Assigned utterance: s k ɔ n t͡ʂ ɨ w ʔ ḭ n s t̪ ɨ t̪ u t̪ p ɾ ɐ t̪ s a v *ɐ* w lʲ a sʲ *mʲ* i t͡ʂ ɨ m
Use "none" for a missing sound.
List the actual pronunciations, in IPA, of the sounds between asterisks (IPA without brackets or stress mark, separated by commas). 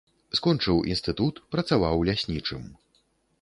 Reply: a, nʲ